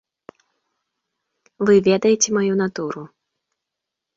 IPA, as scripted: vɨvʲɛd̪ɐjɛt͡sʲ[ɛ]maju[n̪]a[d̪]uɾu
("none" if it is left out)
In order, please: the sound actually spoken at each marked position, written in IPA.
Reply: ɛ, n̪, t̪

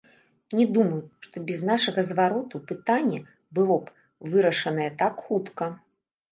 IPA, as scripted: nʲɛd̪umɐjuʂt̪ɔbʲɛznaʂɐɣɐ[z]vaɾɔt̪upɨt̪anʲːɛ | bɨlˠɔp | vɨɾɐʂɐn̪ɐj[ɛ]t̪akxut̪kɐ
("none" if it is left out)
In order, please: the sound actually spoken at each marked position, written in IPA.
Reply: z, ɛ

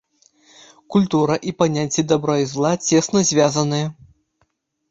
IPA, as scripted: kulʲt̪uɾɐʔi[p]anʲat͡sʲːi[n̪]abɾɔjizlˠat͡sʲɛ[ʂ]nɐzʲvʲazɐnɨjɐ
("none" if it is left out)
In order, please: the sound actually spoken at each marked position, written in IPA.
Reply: p, d̪, s

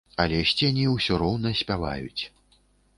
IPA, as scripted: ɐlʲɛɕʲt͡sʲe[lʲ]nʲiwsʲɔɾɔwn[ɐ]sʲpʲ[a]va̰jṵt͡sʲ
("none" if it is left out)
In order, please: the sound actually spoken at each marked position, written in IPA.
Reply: none, ɐ, a

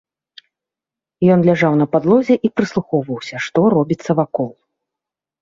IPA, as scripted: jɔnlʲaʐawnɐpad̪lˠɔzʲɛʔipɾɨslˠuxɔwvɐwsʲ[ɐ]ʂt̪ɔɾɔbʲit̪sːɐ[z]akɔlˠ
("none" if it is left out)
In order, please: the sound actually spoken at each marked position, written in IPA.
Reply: ɐ, v

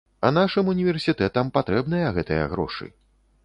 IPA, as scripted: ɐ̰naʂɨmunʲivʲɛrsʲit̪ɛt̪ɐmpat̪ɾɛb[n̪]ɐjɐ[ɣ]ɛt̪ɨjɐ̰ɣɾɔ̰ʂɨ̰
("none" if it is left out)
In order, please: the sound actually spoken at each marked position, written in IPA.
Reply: n̪, ɣ

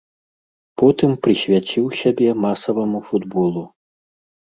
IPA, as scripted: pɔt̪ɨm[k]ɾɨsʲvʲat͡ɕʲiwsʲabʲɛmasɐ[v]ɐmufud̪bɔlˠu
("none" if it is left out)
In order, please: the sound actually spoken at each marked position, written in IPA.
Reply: p, v

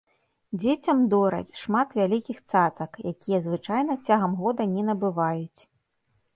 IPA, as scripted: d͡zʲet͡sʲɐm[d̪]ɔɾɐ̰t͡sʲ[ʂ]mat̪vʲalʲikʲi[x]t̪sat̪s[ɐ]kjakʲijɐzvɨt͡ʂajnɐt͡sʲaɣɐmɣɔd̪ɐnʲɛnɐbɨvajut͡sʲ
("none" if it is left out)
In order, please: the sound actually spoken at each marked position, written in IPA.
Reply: d̪, ʂ, x, ɐ

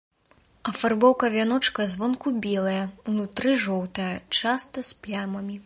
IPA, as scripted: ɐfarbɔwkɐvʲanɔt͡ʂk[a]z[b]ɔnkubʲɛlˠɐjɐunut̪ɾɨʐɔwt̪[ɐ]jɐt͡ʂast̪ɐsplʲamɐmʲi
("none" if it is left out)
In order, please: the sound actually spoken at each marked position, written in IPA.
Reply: ɐ, v, ɐ

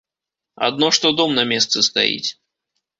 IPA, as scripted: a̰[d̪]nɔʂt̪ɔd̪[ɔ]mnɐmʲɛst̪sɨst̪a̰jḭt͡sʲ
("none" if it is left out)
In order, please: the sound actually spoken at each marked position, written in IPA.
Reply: d̪, ɔ

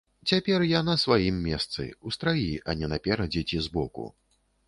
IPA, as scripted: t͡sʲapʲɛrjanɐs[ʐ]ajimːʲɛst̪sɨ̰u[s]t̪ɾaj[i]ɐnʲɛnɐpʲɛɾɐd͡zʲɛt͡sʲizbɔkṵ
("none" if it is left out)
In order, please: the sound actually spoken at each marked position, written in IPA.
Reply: v, s, i

